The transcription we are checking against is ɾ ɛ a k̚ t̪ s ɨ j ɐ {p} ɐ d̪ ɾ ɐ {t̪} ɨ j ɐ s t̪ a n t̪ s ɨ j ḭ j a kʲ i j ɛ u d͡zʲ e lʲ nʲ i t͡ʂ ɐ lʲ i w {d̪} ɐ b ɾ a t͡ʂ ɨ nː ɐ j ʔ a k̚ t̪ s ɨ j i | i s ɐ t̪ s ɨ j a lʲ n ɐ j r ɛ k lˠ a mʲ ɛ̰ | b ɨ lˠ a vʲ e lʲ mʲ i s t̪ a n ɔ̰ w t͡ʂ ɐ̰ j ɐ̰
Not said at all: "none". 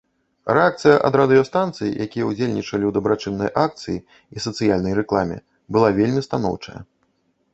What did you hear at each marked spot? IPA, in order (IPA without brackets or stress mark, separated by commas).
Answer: ʔ, d̪, d̪